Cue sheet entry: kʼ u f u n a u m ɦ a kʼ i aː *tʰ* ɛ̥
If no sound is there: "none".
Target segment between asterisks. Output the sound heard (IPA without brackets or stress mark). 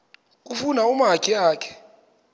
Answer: kʰ